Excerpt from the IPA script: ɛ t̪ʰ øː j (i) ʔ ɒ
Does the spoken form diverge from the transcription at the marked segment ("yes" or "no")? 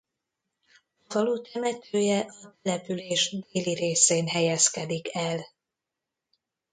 yes